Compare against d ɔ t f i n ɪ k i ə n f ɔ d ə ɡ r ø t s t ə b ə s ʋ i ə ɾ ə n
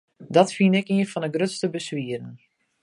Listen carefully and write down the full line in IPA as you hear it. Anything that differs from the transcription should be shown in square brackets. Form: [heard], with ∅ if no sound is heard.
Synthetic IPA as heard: d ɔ t f i n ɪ k i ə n f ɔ [n] ə ɡ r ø t s t ə b ə s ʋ i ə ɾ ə n